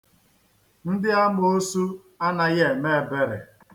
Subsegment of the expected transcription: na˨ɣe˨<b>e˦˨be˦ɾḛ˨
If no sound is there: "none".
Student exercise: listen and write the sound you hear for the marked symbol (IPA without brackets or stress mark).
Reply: m